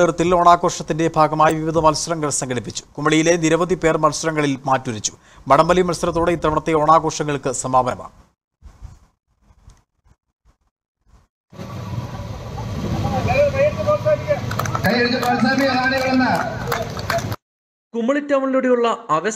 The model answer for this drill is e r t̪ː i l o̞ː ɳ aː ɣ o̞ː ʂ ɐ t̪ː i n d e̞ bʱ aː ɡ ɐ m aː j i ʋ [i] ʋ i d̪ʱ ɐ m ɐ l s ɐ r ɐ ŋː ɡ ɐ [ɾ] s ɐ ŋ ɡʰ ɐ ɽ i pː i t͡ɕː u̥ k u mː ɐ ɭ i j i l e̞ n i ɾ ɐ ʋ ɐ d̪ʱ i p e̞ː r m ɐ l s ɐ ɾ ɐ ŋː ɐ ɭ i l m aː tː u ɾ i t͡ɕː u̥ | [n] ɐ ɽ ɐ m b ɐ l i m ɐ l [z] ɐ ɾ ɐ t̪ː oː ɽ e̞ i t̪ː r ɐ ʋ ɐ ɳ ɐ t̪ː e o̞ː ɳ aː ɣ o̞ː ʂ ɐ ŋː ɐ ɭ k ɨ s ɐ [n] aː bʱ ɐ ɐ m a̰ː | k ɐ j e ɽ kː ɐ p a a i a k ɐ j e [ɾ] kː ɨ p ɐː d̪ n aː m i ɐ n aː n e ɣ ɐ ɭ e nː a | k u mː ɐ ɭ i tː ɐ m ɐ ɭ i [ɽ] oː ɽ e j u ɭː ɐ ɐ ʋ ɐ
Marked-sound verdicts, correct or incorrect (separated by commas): correct, incorrect, incorrect, incorrect, incorrect, incorrect, incorrect